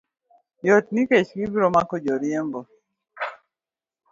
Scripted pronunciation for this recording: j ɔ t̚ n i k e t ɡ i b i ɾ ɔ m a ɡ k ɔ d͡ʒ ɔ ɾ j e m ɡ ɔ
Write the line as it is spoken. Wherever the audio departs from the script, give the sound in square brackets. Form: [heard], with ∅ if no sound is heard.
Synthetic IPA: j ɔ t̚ n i k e [t͡ʃ] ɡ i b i ɾ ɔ m a [∅] k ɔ d͡ʒ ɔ ɾ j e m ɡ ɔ